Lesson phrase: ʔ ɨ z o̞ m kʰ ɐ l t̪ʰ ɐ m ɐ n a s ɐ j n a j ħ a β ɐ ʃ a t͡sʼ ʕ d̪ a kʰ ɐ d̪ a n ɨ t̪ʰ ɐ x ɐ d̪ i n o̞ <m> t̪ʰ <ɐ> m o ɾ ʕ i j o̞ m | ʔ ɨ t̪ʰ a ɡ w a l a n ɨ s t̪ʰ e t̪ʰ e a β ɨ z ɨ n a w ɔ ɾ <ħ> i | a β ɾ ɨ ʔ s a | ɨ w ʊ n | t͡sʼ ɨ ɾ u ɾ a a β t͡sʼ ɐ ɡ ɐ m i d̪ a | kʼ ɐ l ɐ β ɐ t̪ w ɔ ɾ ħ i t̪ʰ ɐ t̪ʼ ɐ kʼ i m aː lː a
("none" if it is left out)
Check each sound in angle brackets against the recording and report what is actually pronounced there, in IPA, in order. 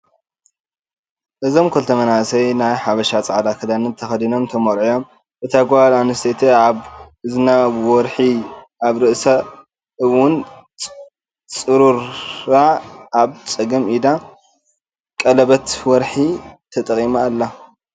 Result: m, ɐ, ħ

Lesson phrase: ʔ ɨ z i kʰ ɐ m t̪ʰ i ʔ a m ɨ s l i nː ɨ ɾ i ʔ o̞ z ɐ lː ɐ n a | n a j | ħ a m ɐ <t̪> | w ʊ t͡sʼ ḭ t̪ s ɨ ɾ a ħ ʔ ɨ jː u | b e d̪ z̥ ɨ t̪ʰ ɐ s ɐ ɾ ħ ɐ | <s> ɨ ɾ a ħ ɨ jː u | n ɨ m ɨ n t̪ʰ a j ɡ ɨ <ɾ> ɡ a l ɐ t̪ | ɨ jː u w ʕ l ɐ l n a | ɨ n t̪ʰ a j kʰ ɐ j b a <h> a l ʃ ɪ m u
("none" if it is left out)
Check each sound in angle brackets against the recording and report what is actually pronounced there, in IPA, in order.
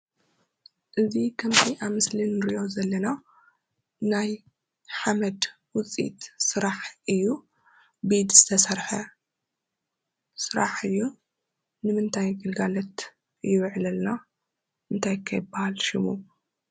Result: d̪, s, l, h

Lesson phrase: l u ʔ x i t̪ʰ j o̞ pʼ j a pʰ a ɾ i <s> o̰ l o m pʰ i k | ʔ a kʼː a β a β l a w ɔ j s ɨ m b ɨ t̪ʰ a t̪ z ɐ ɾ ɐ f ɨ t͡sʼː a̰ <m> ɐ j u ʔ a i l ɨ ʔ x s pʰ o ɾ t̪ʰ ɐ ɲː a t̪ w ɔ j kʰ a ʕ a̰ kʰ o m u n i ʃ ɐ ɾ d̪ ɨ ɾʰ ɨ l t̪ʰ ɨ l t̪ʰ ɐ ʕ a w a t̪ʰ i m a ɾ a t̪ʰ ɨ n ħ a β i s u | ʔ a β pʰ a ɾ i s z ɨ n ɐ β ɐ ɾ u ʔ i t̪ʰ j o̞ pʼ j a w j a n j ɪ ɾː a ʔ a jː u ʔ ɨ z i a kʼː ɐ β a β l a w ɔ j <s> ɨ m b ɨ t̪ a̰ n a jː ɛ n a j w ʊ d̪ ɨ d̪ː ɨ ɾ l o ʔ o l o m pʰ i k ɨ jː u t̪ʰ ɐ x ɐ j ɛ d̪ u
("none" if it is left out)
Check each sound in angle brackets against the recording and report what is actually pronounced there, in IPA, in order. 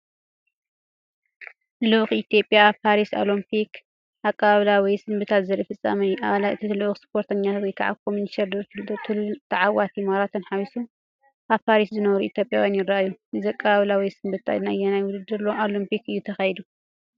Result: s, m, s

